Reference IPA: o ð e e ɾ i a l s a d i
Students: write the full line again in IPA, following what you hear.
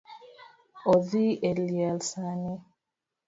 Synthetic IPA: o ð i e l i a l s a n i